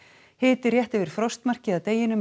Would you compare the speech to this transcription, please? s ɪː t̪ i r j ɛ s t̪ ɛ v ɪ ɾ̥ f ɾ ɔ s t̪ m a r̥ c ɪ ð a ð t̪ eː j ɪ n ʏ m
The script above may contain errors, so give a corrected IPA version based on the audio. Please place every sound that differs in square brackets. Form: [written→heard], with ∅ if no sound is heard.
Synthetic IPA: [s→h] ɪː t̪ [i→ɪ] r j ɛ [s→h] t̪ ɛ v ɪ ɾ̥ f ɾ ɔ s t̪ m a r̥ c ɪ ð a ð t̪ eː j ɪ n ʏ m